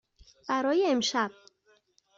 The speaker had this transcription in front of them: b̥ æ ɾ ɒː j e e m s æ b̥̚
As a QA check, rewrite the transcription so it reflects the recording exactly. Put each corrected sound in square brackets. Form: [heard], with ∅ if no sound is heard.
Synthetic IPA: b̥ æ ɾ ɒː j e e m [ʃ] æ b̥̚